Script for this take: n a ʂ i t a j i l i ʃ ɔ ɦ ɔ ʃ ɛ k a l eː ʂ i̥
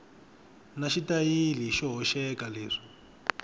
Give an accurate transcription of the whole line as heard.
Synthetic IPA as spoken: n a ʃ i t a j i l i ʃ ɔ ɦ ɔ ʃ ɛ k a l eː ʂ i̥